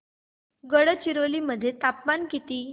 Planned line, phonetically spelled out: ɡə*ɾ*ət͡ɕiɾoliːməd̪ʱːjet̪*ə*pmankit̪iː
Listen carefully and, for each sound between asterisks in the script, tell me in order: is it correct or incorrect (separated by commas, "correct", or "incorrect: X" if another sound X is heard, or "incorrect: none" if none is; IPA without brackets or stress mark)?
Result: incorrect: ɽ, incorrect: a